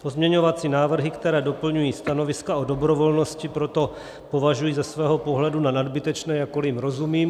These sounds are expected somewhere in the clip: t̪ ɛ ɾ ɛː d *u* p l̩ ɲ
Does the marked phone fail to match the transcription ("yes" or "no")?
yes